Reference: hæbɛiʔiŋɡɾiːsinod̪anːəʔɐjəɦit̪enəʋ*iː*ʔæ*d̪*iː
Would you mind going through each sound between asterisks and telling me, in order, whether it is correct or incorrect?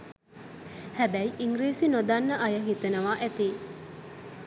incorrect, incorrect

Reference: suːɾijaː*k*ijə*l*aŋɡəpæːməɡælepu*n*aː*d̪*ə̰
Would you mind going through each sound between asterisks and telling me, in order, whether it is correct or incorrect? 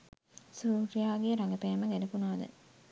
incorrect, incorrect, correct, correct

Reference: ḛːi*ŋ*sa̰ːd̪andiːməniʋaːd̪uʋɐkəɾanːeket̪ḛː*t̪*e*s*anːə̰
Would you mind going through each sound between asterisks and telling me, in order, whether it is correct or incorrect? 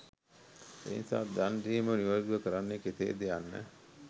incorrect, incorrect, incorrect

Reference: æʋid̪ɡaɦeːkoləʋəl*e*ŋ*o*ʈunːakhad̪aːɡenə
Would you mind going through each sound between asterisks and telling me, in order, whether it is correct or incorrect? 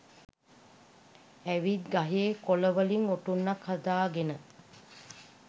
incorrect, correct

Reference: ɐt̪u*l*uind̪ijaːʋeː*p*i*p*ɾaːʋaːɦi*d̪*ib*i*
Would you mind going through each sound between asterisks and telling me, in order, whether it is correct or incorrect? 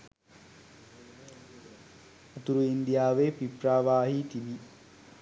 incorrect, correct, correct, incorrect, correct

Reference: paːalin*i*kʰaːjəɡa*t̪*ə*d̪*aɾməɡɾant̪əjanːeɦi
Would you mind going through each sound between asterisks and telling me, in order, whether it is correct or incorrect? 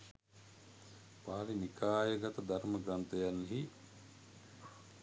correct, correct, correct

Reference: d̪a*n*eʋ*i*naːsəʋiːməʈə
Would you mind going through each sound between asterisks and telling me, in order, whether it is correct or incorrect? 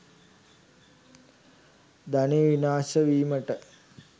correct, correct

